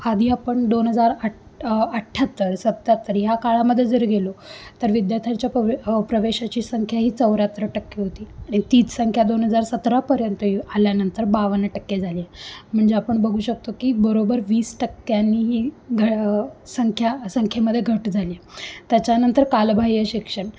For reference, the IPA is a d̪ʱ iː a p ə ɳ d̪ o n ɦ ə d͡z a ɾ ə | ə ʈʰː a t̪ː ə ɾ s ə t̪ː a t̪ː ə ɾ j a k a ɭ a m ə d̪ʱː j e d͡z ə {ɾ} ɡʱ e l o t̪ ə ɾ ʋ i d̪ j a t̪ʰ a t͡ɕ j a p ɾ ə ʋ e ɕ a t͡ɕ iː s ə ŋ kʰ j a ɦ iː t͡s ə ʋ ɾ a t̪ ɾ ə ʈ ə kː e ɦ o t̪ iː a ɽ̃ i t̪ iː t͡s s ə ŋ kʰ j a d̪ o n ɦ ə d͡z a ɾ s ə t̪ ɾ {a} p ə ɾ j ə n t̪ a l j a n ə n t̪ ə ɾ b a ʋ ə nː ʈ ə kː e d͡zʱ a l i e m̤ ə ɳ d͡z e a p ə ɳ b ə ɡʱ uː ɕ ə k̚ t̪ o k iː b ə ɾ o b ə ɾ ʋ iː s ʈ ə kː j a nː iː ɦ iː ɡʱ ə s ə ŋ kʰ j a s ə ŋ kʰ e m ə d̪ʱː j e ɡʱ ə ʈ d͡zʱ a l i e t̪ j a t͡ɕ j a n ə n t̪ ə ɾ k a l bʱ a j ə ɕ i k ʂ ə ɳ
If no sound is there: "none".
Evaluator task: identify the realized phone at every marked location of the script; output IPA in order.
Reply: ɾ, a

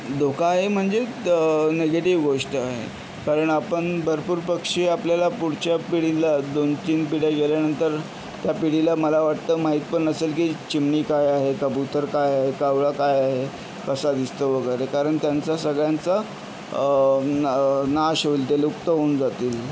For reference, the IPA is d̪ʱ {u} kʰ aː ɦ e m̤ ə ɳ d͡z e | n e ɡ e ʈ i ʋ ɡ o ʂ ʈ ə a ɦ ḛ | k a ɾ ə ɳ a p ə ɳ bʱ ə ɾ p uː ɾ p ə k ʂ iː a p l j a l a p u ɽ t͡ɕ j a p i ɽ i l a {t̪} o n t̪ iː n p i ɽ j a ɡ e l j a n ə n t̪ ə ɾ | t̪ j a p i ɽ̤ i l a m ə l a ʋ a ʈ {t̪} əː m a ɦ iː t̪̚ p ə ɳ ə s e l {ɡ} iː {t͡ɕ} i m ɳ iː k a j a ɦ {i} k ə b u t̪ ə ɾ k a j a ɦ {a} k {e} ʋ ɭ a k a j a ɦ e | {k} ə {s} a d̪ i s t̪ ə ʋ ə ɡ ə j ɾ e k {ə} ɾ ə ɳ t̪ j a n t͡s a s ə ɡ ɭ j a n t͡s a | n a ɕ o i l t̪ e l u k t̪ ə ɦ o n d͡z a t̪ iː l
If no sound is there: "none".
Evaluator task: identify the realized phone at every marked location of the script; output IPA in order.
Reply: o, d̪, t̪, k, t͡ɕ, e, e, a, k, s, a

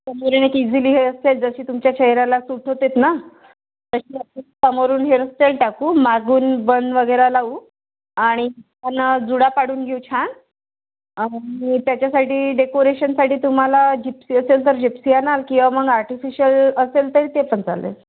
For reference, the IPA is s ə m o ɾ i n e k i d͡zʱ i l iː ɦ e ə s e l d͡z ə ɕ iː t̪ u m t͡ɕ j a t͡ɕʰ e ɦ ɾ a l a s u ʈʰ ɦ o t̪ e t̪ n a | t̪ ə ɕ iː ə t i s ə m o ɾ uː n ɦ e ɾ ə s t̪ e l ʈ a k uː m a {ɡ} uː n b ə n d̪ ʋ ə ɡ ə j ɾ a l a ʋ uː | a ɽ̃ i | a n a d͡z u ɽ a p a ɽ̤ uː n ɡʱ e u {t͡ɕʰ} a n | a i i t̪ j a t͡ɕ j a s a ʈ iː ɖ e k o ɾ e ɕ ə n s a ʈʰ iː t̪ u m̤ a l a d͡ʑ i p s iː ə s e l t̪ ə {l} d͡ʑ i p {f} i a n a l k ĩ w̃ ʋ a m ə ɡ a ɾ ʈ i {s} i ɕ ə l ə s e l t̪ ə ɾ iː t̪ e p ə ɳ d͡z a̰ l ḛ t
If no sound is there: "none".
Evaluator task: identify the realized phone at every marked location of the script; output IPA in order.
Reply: ɡ, t͡ɕʰ, ɾ, s, f

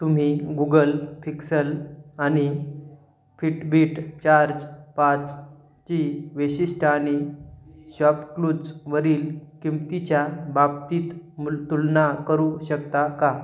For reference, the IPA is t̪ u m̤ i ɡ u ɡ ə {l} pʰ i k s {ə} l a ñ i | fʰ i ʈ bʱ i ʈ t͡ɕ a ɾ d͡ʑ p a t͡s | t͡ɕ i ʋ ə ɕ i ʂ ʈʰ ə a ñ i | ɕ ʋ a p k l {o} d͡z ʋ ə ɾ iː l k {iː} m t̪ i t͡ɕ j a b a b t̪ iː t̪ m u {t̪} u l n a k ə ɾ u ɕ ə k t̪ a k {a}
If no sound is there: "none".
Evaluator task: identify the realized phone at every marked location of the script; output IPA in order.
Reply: l, ə, u, i, t̪, a

